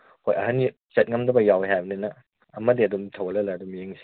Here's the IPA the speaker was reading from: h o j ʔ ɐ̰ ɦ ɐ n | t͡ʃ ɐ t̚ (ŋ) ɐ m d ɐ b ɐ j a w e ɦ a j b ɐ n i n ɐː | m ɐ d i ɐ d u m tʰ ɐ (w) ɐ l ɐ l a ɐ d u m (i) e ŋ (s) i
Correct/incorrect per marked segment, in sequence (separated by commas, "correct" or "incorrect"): correct, correct, incorrect, correct